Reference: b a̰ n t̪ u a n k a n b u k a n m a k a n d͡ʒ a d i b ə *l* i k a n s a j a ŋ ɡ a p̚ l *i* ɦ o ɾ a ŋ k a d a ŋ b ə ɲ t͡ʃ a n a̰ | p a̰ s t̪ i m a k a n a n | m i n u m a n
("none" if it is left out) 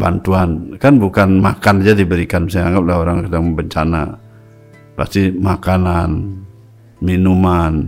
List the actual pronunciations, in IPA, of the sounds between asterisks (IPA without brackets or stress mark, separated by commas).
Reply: ɾ, a